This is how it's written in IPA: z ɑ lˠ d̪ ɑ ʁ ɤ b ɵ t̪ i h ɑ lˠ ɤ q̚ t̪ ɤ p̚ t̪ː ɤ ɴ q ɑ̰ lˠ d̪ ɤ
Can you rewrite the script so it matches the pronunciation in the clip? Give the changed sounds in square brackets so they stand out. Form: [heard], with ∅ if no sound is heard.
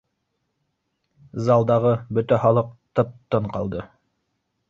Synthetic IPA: z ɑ lˠ d̪ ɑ ʁ ɤ b ɵ t̪ [æ] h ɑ lˠ ɤ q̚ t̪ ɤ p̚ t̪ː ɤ ɴ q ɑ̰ lˠ d̪ ɤ